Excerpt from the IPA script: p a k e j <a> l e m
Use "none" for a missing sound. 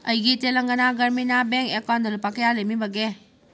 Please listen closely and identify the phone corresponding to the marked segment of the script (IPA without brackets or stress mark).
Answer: a